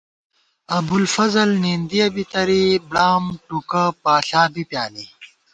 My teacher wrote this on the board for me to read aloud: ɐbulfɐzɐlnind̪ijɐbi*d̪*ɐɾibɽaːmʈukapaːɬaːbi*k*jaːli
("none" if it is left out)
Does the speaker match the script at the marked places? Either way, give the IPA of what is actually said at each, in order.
t̪, p

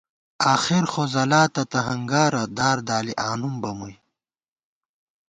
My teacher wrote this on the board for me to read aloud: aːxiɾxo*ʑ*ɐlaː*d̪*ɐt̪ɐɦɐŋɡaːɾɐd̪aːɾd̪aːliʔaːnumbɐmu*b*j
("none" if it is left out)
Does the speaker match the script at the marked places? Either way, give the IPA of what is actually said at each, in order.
z, t̪, none

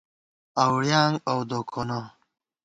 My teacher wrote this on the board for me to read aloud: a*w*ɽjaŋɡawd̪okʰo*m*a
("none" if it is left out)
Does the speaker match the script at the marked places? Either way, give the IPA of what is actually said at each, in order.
w, n

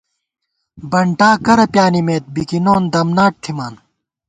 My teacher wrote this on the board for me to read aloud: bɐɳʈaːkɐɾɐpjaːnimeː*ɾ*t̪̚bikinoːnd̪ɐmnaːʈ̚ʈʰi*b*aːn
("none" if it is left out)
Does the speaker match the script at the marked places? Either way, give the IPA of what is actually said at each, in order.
none, m

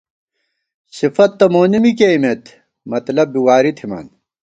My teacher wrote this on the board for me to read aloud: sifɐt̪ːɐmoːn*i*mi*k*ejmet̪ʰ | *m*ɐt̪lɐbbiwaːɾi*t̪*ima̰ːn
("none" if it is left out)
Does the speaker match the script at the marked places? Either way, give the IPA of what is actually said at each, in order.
i, k, m, t̪ʰ

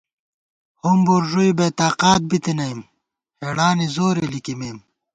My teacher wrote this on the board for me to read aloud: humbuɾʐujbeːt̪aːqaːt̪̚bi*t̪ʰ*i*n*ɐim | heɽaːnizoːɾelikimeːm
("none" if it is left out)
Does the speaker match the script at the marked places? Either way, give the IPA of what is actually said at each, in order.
t̪, n

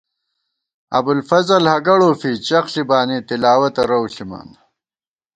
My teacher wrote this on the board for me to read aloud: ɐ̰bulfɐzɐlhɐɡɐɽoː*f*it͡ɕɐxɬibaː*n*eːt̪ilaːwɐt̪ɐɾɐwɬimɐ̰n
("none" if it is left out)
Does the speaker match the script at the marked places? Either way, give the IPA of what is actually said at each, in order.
f, n

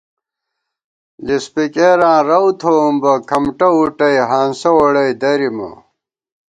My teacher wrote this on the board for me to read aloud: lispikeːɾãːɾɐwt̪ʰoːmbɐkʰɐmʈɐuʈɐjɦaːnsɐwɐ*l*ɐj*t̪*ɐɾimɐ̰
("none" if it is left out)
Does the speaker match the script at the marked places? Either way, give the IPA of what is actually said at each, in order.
ɽ, d̪

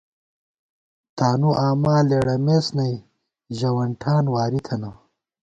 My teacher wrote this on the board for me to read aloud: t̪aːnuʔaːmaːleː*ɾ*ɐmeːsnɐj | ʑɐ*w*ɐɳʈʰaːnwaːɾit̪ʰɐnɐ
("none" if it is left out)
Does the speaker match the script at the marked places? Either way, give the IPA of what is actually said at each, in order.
ɽ, w

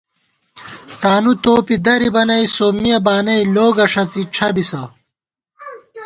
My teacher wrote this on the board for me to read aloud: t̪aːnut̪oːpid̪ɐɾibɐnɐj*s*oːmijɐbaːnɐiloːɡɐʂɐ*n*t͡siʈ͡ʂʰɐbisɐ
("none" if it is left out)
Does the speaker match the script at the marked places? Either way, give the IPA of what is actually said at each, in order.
s, none

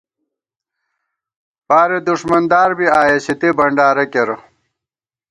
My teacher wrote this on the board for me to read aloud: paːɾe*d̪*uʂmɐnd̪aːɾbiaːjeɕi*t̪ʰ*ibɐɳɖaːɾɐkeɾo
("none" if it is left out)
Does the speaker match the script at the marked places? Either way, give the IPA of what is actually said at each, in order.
d̪, t̪

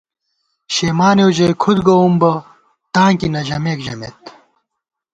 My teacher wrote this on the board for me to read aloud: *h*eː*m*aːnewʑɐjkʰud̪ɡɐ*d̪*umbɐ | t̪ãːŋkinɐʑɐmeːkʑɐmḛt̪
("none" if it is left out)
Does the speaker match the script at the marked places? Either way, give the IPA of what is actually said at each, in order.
ɕ, m, none

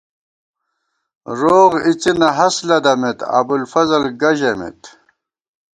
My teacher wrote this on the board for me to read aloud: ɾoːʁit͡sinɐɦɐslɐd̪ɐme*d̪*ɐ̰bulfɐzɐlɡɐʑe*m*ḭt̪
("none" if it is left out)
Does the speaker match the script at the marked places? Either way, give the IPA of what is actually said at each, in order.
t̪, m

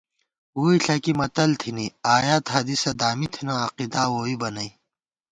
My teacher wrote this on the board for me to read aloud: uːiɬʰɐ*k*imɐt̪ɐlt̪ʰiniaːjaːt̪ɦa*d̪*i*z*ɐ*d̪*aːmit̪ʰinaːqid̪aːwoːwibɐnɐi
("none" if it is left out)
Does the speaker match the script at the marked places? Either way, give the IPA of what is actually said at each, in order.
k, d̪, s, d̪

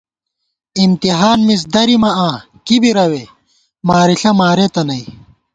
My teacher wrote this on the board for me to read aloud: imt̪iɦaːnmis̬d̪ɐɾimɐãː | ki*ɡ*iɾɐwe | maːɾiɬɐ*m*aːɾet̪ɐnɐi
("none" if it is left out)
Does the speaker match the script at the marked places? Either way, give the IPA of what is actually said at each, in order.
b, m

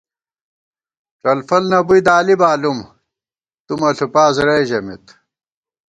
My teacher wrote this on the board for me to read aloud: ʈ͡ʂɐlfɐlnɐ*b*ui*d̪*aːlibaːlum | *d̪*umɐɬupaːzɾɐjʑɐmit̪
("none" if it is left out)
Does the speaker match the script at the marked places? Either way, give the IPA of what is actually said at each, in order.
b, d̪, t̪

